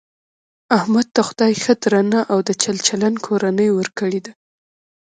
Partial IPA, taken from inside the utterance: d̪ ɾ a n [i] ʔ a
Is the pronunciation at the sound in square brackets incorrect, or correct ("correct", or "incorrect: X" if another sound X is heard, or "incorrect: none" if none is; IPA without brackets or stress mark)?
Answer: incorrect: a